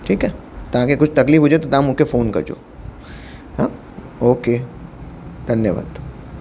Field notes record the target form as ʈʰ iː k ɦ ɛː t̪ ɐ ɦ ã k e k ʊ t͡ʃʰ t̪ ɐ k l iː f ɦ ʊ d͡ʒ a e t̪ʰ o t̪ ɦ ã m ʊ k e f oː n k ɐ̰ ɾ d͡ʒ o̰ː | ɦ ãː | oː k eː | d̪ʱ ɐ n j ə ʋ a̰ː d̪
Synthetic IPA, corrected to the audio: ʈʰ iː k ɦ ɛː t̪ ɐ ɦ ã k e k ʊ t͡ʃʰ t̪ ɐ k l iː f ɦ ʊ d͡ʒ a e t̪ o t̪ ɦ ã m ʊ k e f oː n k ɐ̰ ɾ d͡ʒ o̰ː | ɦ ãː | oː k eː | d̪ʱ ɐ n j ə ʋ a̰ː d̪